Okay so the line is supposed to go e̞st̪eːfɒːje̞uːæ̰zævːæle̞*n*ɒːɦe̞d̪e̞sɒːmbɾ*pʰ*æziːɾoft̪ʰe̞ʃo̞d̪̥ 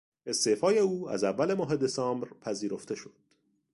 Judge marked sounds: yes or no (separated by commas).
no, yes